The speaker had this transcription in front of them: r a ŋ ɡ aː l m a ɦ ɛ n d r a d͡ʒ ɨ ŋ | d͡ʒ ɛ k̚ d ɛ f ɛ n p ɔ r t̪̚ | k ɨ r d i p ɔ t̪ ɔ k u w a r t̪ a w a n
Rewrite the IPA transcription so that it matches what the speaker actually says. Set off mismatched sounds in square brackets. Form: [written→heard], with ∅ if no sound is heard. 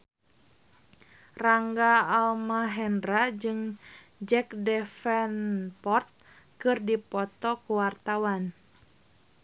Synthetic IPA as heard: r a ŋ ɡ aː l m a ɦ ɛ n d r a d͡ʒ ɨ ŋ | d͡ʒ ɛ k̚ d ɛ f ɛ n p ɔ r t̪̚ | k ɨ r d i p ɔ t̪ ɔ k u w a r t̪ a w a n